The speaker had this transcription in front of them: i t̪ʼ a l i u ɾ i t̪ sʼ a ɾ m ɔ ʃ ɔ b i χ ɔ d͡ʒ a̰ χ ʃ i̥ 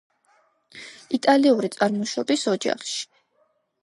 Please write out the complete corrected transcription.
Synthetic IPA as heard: i t̪ʼ a l i u ɾ i t̪ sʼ a ɾ m ɔ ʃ ɔ b i s ɔ d͡ʒ a̰ χ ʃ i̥